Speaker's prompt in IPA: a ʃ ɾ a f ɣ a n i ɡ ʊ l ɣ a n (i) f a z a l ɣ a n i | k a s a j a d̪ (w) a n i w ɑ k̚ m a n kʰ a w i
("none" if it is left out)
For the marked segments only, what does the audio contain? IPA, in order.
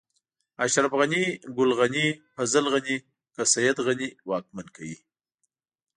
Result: i, ɣ

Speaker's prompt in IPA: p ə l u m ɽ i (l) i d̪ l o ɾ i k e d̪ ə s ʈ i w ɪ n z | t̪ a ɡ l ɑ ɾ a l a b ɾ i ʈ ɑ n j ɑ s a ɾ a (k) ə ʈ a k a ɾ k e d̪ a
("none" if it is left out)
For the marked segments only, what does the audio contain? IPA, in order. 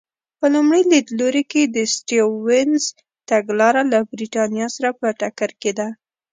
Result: l, p

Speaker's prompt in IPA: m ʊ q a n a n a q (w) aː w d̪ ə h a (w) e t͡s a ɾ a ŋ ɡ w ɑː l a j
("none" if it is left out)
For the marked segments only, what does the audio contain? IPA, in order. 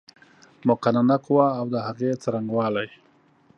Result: w, ɣ

